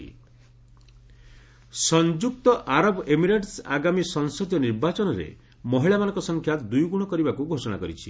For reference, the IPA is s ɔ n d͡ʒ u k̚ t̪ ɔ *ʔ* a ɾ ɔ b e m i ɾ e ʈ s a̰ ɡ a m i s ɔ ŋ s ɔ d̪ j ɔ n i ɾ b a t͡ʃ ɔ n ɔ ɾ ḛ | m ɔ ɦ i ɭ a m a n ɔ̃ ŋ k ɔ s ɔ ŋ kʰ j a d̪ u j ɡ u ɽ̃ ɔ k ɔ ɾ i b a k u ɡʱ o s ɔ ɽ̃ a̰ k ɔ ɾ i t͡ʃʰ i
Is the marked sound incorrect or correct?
correct